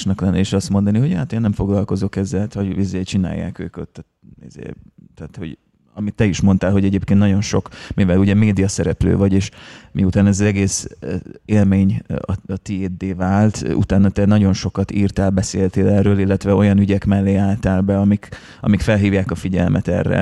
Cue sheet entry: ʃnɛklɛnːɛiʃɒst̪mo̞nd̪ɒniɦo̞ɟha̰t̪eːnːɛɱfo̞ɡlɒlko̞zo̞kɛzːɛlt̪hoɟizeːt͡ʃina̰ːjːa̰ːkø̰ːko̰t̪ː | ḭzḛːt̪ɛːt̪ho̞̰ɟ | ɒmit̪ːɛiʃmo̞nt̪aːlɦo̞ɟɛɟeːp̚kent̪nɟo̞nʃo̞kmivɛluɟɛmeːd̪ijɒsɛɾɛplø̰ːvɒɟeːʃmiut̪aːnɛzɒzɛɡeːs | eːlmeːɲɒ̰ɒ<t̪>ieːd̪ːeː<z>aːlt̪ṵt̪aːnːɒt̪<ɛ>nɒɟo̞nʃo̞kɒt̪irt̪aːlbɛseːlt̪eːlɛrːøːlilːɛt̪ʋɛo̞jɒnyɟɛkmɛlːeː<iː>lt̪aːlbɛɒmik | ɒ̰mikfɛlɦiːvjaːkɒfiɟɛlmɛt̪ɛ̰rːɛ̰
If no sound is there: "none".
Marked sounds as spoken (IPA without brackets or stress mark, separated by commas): t̪, v, ɛ, aː